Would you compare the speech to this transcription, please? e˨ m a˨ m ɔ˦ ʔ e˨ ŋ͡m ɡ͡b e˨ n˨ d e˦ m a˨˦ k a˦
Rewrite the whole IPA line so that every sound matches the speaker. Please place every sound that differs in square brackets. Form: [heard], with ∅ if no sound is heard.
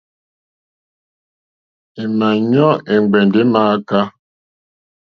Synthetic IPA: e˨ m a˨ [ɲ] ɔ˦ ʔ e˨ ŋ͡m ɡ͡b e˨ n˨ d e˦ m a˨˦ k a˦

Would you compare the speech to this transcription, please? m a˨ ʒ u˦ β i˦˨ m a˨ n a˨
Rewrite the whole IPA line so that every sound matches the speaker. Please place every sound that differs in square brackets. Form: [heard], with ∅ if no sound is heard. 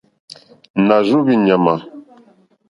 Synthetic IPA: [n] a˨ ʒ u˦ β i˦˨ [ɲ] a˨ [m] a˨

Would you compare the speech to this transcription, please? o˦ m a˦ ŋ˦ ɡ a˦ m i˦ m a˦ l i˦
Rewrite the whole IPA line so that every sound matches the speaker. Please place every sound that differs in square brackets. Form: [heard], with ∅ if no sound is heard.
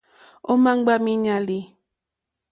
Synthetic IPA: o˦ m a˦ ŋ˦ [ɡ͡b] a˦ m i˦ [ɲ] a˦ l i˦

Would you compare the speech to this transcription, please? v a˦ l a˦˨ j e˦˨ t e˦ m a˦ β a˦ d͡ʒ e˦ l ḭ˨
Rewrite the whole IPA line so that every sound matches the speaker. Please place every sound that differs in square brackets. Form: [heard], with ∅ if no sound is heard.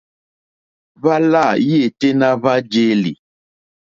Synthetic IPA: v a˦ l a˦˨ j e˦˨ t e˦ [n] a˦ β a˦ d͡ʒ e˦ l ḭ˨

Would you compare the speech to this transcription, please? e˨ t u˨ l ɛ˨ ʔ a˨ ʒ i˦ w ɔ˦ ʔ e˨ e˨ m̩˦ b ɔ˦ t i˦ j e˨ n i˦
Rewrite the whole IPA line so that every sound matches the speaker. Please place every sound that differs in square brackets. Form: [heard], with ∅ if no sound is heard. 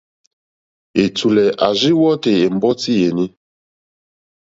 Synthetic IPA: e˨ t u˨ l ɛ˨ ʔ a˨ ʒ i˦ w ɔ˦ [t] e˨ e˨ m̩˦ b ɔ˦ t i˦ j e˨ n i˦

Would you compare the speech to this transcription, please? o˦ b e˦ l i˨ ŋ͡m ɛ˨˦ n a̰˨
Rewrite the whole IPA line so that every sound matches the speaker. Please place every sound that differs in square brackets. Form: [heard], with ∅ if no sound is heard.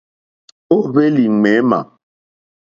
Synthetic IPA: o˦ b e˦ l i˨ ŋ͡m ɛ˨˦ [m] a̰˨

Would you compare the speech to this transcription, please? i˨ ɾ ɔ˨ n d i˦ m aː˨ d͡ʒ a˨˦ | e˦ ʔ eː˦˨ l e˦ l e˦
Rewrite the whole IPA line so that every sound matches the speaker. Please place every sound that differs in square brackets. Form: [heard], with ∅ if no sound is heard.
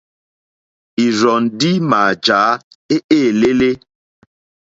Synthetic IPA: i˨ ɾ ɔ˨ n d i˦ m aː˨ d͡ʒ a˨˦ | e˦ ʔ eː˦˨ l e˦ l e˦

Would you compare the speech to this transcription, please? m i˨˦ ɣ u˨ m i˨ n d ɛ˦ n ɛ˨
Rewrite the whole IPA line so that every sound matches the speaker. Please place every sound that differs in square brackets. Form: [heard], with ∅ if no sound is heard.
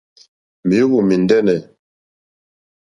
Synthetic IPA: m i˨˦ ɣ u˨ m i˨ n d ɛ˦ n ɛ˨

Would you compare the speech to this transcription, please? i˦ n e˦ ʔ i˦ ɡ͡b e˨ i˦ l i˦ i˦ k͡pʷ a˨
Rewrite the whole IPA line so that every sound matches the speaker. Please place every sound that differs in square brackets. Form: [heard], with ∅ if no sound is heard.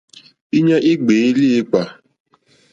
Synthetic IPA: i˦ [ɲ] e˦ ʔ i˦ ɡ͡b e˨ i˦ l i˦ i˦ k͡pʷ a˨

